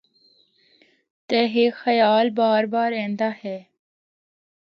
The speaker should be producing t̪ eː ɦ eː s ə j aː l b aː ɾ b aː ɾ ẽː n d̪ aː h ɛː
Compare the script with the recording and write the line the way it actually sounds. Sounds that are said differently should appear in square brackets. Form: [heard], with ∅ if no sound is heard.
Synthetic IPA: t̪ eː ɦ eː [x] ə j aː l b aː ɾ b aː ɾ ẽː n d̪ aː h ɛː